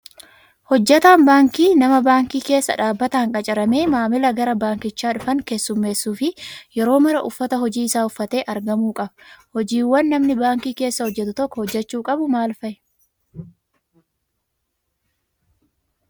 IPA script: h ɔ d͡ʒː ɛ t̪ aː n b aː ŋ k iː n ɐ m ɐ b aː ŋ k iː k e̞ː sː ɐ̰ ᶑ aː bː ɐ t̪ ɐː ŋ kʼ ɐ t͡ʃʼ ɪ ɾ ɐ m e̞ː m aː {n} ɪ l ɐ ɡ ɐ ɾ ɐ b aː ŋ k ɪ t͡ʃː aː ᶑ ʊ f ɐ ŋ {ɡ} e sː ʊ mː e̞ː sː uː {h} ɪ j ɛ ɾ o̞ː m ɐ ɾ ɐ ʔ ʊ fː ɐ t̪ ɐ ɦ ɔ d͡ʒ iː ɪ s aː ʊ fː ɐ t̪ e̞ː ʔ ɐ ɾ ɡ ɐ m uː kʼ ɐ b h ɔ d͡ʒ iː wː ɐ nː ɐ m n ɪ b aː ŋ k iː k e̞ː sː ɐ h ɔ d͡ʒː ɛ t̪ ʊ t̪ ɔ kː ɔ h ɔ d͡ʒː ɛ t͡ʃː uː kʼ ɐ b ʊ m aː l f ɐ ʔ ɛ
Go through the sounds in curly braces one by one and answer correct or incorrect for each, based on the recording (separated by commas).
incorrect, incorrect, incorrect